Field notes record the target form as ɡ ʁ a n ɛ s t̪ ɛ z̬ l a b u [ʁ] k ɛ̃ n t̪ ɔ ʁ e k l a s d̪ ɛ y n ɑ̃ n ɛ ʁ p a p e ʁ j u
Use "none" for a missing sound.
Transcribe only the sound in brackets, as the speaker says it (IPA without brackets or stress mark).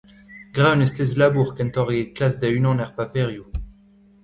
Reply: ʁ